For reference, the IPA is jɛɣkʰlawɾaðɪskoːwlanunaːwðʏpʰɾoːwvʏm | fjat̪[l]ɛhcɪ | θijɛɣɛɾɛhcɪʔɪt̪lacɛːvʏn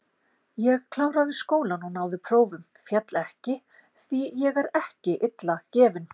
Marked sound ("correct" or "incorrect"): correct